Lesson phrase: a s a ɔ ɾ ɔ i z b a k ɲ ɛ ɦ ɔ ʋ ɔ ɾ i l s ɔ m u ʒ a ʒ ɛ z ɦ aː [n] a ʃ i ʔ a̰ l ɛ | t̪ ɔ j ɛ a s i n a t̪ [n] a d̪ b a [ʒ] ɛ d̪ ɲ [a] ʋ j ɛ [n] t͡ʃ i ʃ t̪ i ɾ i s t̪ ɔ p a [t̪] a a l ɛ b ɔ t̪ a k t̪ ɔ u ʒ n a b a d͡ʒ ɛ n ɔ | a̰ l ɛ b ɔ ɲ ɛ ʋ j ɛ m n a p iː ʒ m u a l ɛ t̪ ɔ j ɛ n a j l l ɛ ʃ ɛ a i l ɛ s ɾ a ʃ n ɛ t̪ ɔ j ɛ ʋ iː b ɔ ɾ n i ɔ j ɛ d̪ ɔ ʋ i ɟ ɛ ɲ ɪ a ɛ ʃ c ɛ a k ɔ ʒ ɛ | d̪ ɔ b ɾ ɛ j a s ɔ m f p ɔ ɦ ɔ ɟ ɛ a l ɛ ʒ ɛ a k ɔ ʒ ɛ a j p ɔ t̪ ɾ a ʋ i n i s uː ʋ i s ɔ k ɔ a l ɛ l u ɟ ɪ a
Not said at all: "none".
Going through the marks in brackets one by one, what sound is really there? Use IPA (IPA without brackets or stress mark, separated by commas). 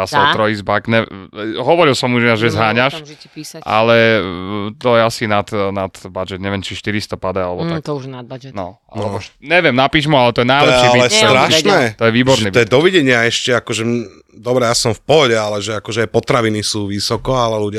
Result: ɲ, n, d͡ʒ, ɛ, m, d̪